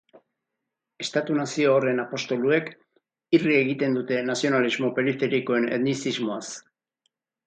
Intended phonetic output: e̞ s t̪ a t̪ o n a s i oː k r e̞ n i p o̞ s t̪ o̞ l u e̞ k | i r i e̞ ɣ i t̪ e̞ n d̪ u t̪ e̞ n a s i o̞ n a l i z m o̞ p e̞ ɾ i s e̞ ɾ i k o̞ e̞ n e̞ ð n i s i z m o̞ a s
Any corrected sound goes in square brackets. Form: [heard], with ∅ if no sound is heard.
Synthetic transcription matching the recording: e̞ s t̪ a t̪ [u] n a s i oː [∅] r e̞ n [a] p o̞ s t̪ o̞ l u e̞ k | i r i e̞ ɣ i t̪ e̞ n d̪ u t̪ e̞ n a s i o̞ n a l i z m o̞ p e̞ ɾ i [f] e̞ ɾ i k o̞ e̞ n e̞ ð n i s i z m o̞ a s

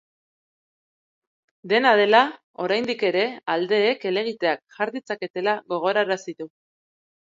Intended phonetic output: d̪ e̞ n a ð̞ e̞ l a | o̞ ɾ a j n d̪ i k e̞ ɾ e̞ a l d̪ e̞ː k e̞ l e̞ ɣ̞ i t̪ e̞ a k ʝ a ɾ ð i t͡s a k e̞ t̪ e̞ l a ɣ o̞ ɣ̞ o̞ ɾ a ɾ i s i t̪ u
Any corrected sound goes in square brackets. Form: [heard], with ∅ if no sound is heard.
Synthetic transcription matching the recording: d̪ e̞ n a ð̞ e̞ l a | o̞ ɾ a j n d̪ i k e̞ ɾ e̞ a l d̪ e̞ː k e̞ l e̞ ɣ̞ i t̪ e̞ a k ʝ a ɾ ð i t͡s a k e̞ t̪ e̞ l a ɣ o̞ ɣ̞ o̞ ɾ a ɾ [a] s i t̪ u

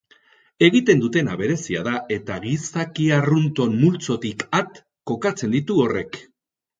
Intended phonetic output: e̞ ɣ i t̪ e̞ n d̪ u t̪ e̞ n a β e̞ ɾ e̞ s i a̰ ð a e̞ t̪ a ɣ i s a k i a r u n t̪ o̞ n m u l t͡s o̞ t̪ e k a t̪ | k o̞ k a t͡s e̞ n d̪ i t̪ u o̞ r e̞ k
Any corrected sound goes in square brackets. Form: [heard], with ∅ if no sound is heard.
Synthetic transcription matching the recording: e̞ ɣ i t̪ e̞ n d̪ u t̪ e̞ n a β e̞ ɾ e̞ s i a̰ ð a e̞ t̪ a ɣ i s a k i a r u n t̪ o̞ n m u l t͡s o̞ t̪ [i] k a t̪ | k o̞ k a t͡s e̞ n d̪ i t̪ u o̞ r e̞ k

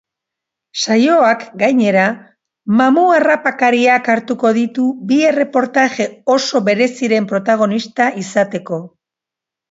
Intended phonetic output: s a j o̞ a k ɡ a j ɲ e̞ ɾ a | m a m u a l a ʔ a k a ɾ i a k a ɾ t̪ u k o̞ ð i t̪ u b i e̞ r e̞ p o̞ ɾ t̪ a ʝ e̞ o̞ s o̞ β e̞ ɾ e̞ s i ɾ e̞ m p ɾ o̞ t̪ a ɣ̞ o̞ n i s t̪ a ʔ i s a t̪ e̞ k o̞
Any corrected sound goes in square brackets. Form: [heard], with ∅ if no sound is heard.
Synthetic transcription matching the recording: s a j o̞ a k ɡ a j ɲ e̞ ɾ a | m a m u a [r] a [p] a k a ɾ i a k a ɾ t̪ u k o̞ ð i t̪ u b i e̞ r e̞ p o̞ ɾ t̪ a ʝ e̞ o̞ s o̞ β e̞ ɾ e̞ s i ɾ e̞ m p ɾ o̞ t̪ a ɣ̞ o̞ n i s t̪ a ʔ i s a t̪ e̞ k o̞

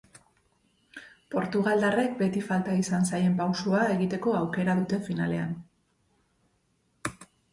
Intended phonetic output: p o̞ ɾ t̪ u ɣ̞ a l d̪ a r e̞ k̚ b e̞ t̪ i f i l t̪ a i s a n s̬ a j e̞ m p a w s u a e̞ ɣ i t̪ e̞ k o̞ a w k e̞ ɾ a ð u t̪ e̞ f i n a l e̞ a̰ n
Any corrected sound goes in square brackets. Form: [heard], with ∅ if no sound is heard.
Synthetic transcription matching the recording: p o̞ ɾ t̪ u ɣ̞ a l d̪ a r e̞ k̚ b e̞ t̪ i f [a] l t̪ a i s a n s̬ a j e̞ m p a w s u a e̞ ɣ i t̪ e̞ k o̞ a w k e̞ ɾ a ð u t̪ e̞ f i n a l e̞ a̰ n

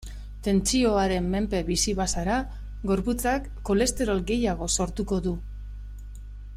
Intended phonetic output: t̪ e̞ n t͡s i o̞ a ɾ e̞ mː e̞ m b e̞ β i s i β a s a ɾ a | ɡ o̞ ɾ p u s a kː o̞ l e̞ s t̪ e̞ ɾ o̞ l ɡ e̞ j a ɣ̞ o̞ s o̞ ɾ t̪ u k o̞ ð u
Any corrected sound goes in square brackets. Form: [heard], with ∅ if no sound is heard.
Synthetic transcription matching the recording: t̪ e̞ n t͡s i o̞ a ɾ e̞ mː e̞ m [p] e̞ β i s i β a s a ɾ a | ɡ o̞ ɾ p u [t͡s] a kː o̞ l e̞ s t̪ e̞ ɾ o̞ l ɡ e̞ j a ɣ̞ o̞ s o̞ ɾ t̪ u k o̞ ð u

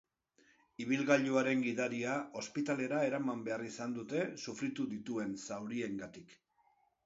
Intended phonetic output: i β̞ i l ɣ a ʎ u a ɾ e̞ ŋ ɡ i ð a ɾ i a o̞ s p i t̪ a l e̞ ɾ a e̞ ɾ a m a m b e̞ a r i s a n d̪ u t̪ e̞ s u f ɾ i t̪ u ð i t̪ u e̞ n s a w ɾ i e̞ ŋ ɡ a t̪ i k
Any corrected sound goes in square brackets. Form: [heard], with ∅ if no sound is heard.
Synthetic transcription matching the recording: i β̞ i l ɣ a ʎ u a ɾ e̞ ŋ ɡ i ð a ɾ i a o̞ s p i t̪ a l e̞ ɾ a e̞ ɾ a m a m b e̞ a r i s a n d̪ u t̪ e̞ s u f ɾ i t̪ u ð i t̪ u e̞ n s a w ɾ i e̞ ŋ ɡ a t̪ i k

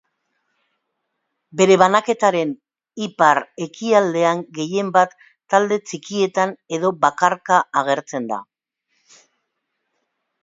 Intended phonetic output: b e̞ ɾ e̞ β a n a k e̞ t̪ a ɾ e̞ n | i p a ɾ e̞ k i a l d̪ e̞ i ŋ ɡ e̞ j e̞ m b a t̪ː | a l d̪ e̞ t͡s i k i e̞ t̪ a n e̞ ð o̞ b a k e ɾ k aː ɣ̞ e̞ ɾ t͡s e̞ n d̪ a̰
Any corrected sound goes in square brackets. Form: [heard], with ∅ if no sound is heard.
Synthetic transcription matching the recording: b e̞ ɾ e̞ β a n a k e̞ t̪ a ɾ e̞ n | i p a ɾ e̞ k i a l d̪ e̞ [a] ŋ ɡ e̞ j e̞ m b a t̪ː | a l d̪ e̞ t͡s i k i e̞ t̪ a n e̞ ð o̞ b a k [a] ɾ k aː ɣ̞ e̞ ɾ t͡s e̞ n d̪ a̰

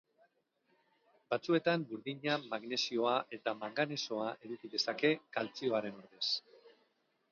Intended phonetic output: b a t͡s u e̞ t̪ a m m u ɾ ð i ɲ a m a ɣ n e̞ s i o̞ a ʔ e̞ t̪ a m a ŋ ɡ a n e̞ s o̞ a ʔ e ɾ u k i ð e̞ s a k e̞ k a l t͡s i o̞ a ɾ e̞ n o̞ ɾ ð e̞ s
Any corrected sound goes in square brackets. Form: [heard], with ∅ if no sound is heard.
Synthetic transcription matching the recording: b a t͡s u e̞ t̪ a m [b] u ɾ ð i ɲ a m a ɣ n e̞ s i o̞ a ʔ e̞ t̪ a m a ŋ ɡ a n e̞ s o̞ a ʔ e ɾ u k i ð e̞ s a k e̞ k a l t͡s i o̞ a ɾ e̞ n o̞ ɾ ð e̞ s

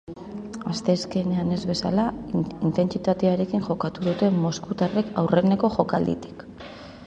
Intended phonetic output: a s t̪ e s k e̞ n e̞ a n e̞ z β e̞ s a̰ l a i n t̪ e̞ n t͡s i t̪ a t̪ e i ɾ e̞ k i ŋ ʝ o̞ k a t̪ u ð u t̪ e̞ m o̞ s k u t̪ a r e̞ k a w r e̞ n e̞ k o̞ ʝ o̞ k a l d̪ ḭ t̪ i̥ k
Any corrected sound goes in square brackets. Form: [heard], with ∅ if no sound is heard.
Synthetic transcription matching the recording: a s t̪ e s k e̞ n e̞ a n e̞ z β e̞ s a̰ l a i n t̪ e̞ n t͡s i t̪ a t̪ e [a] ɾ e̞ k i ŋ ʝ o̞ k a t̪ u ð u t̪ e̞ m o̞ s k u t̪ a r e̞ k a w r e̞ n e̞ k o̞ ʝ o̞ k a l d̪ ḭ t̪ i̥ k

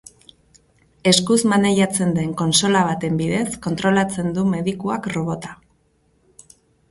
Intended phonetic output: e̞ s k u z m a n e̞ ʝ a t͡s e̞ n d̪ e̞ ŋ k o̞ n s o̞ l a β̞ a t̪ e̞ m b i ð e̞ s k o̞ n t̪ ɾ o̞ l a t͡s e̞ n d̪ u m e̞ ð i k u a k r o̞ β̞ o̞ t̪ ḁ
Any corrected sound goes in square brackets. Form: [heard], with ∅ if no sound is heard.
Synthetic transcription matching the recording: e̞ s k u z m a n e̞ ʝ a t͡s e̞ n d̪ e̞ ŋ k o̞ n s o̞ l a β̞ a t̪ e̞ m b i ð e̞ s k o̞ n t̪ ɾ o̞ l a t͡s e̞ n d̪ u m e̞ ð i k u a k r o̞ β̞ o̞ t̪ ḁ

